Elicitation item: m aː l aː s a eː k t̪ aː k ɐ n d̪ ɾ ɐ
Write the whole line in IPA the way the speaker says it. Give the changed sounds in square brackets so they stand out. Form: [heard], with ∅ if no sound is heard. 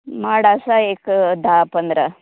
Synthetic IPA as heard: m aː [ɽ] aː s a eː k [d̪] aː [p] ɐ n d̪ ɾ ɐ